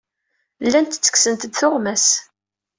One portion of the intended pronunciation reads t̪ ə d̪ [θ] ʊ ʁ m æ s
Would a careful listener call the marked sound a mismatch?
no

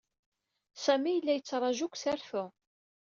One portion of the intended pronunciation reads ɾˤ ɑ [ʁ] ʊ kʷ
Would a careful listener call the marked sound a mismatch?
yes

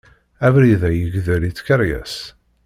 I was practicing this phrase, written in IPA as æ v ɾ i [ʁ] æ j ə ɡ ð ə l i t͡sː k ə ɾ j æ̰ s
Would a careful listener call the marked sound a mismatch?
yes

